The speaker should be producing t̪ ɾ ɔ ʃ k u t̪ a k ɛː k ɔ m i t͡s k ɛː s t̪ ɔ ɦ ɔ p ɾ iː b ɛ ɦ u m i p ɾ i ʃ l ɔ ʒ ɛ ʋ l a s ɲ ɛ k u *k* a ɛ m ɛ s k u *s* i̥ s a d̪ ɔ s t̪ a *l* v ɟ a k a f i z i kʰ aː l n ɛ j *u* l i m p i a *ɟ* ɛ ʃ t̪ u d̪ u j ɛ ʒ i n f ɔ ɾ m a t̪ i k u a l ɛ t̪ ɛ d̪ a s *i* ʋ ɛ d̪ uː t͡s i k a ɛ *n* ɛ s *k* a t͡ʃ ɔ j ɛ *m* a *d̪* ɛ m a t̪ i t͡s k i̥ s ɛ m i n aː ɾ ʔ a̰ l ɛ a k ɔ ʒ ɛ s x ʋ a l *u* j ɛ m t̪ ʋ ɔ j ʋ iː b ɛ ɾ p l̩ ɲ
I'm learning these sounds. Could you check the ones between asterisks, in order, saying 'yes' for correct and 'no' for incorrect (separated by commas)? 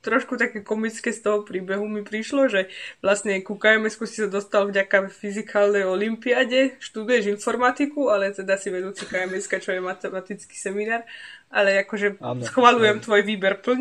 yes, yes, yes, no, yes, yes, no, yes, yes, no, yes